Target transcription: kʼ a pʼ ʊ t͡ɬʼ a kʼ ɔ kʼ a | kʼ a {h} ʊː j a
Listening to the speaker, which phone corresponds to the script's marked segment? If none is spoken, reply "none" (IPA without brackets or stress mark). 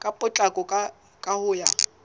h